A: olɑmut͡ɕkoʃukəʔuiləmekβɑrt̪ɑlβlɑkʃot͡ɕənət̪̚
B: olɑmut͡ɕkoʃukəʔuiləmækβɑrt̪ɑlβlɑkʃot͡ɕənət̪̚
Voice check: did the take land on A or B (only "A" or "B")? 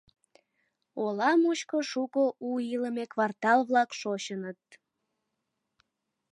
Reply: A